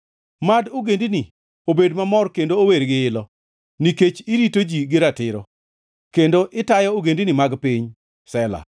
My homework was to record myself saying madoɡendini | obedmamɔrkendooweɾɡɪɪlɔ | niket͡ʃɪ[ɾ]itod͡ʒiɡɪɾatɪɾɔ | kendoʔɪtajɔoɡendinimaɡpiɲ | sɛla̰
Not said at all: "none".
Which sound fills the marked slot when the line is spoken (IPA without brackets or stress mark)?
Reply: ɾ